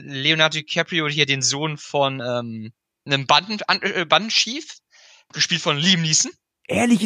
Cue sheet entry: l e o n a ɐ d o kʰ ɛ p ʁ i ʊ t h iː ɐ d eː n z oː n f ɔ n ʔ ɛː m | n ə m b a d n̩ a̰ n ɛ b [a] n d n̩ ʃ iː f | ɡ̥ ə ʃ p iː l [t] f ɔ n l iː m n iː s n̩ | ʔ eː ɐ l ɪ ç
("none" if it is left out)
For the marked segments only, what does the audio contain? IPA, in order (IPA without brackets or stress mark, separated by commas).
a, t